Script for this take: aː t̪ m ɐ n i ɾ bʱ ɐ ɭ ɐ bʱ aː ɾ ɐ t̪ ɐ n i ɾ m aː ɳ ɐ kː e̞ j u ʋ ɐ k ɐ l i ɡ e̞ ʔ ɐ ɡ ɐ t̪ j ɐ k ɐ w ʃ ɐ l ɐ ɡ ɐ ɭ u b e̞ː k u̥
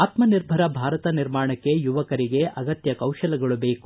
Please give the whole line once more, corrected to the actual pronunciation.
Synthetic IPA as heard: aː t̪ m ɐ n i ɾ bʱ ɐ ɾ ɐ bʱ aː ɾ ɐ t̪ ɐ n i ɾ m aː ɳ ɐ kː e̞ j u ʋ ɐ k ɐ ɾ i ɡ e̞ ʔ ɐ ɡ ɐ t̪ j ɐ k ɐ w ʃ ɐ l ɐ ɡ ɐ ɭ u b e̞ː k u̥